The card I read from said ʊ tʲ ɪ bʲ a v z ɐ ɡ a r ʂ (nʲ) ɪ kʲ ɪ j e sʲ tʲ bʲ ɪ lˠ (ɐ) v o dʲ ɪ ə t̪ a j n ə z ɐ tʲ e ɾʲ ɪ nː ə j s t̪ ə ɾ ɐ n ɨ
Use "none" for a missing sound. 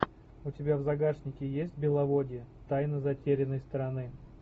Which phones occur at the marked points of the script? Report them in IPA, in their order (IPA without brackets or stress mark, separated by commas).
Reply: nʲ, ɐ